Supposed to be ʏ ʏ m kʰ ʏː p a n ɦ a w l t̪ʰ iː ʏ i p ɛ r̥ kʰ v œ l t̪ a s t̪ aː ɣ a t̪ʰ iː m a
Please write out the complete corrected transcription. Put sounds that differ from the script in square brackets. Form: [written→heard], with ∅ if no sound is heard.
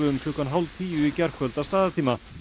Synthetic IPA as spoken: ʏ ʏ m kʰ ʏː [p→k] a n ɦ a w l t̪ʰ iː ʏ i [p→c] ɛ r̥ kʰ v œ l t̪ a s t̪ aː [ɣ→ð] a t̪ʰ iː m a